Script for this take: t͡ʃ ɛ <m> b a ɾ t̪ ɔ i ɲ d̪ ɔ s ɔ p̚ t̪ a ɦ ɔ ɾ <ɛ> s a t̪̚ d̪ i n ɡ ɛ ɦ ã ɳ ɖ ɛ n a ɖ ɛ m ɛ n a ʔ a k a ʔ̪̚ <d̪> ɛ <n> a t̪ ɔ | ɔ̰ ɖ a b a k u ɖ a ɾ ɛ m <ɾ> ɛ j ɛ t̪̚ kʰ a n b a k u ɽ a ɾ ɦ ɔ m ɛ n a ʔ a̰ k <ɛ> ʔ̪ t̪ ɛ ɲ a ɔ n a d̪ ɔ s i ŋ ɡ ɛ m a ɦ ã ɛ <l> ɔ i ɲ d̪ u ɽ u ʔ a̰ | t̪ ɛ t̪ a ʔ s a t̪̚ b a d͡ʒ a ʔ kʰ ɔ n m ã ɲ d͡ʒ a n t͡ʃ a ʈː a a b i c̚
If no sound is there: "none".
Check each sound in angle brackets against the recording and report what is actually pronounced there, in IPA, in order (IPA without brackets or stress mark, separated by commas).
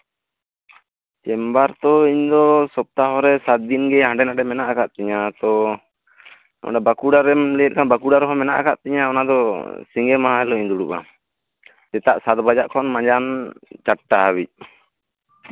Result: m, ɛ, t̪, ɲ, l, a, l